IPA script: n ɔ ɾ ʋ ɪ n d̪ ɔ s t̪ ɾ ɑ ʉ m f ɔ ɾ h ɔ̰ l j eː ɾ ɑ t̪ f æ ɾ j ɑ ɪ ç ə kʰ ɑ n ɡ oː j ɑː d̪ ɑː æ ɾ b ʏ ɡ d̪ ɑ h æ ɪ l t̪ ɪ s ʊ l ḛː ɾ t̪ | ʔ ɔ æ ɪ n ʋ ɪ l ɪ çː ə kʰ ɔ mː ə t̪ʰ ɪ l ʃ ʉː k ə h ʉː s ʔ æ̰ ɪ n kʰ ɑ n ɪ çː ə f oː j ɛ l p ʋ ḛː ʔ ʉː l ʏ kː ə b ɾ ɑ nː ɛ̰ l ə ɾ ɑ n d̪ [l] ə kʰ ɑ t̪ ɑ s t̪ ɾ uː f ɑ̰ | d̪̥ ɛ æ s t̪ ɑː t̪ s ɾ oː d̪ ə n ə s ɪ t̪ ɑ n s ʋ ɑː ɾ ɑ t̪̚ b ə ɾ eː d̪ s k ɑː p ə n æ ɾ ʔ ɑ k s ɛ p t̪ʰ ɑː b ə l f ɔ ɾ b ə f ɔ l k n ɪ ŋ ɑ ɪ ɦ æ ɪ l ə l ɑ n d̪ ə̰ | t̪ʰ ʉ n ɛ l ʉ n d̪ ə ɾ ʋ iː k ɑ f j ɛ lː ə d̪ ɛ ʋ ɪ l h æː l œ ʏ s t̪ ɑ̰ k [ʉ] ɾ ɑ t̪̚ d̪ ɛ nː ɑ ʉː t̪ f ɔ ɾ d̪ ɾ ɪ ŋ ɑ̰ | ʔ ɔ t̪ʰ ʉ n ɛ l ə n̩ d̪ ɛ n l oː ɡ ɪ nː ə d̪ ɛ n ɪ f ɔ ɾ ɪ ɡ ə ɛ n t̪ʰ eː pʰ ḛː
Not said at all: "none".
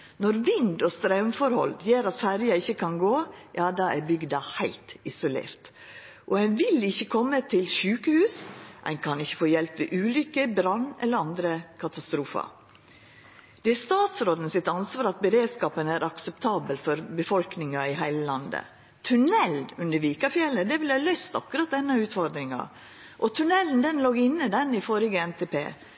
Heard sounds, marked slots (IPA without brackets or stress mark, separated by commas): ɾ, ʉ